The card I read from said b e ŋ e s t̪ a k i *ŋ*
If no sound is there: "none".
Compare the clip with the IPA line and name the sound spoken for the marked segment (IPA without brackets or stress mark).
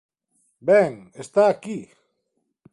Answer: none